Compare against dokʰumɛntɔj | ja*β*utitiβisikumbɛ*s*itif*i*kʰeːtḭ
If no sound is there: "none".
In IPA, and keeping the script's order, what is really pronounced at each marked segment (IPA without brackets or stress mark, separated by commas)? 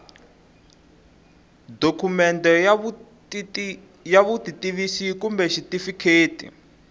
β, ʃ, i